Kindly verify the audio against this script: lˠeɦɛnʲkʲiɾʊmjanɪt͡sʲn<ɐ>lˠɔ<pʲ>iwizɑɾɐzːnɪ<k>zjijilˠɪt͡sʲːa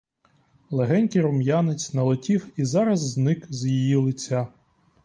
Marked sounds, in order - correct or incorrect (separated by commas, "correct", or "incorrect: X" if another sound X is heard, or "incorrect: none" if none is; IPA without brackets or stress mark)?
correct, incorrect: tʲ, correct